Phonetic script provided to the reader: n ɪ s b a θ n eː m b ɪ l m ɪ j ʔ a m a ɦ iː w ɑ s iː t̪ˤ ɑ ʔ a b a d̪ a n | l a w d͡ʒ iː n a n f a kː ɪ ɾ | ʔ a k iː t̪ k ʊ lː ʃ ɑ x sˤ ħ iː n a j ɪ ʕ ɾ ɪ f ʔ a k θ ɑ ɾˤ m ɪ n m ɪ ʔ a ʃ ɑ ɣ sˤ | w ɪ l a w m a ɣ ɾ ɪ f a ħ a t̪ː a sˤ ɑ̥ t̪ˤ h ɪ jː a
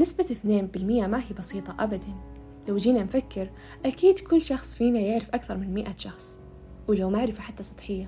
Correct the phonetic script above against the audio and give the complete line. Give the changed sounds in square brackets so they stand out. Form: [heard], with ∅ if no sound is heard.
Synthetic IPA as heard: n ɪ s b a θ n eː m b ɪ l m ɪ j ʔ a m a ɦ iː [b] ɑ s iː t̪ˤ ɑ ʔ a b a d̪ a n | l a w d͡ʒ iː n a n f a kː ɪ ɾ | ʔ a k iː [d̪] k ʊ lː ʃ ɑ x sˤ [f] iː n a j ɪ ʕ ɾ ɪ f ʔ a k θ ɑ ɾˤ m ɪ n m ɪ ʔ a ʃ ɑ [x] sˤ | w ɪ l a w m a [ʕ] ɾ ɪ f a ħ a t̪ː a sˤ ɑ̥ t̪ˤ [ħ] ɪ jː a